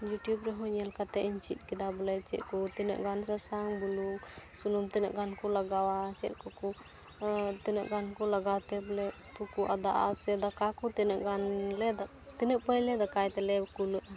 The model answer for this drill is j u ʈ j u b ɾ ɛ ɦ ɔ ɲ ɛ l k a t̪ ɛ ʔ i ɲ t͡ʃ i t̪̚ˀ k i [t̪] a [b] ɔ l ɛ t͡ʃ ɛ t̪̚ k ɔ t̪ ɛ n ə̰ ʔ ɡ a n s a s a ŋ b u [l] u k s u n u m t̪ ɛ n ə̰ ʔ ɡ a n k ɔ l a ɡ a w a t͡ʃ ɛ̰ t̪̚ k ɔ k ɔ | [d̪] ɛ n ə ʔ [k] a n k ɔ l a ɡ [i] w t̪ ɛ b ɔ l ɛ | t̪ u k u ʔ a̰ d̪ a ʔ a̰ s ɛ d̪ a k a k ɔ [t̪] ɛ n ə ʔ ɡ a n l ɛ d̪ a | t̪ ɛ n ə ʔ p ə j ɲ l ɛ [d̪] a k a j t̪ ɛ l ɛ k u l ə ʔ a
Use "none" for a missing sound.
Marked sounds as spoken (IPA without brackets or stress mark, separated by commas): d̪, b, l, t̪, ɡ, a, t̪, d̪